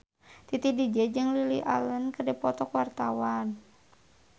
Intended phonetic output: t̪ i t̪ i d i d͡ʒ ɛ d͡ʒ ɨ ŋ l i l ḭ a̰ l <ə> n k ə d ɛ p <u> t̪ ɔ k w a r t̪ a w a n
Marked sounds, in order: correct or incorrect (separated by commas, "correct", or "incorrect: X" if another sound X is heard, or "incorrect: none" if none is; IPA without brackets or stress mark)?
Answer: correct, incorrect: ɔ